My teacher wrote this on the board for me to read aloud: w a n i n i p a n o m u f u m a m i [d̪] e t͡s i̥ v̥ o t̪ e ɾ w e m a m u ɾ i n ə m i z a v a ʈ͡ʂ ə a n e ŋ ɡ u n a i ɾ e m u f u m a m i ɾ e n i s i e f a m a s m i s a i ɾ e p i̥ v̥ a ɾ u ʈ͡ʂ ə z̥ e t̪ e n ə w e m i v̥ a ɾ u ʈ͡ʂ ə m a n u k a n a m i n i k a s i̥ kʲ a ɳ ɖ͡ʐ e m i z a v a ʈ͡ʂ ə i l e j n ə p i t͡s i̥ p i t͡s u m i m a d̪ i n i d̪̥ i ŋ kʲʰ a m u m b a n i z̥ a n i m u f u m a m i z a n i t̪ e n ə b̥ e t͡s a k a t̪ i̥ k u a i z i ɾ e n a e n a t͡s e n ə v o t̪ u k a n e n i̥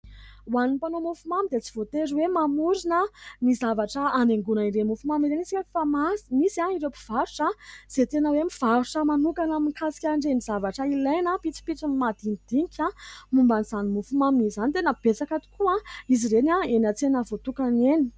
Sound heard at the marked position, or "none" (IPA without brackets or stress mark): d̪